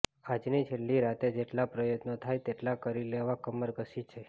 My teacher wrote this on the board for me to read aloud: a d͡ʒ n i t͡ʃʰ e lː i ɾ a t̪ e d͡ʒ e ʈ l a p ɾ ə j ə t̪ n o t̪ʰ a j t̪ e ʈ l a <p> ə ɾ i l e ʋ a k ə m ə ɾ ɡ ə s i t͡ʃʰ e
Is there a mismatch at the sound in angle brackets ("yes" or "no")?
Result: yes